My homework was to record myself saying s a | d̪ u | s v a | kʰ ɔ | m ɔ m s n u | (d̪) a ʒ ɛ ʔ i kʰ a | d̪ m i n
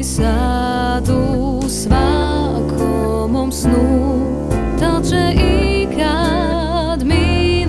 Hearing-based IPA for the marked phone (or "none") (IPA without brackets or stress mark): t̪